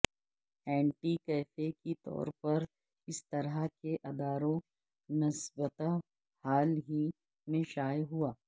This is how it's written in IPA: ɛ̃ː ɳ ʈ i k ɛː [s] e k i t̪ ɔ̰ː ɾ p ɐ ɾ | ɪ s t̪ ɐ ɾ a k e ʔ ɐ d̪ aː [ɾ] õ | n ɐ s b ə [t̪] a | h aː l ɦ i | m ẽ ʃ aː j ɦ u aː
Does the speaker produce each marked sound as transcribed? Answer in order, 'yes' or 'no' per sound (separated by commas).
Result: no, yes, yes